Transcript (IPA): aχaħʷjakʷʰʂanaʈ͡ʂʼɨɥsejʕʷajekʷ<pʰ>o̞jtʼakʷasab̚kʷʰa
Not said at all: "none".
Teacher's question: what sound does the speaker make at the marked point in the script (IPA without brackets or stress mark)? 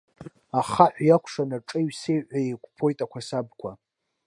pʰ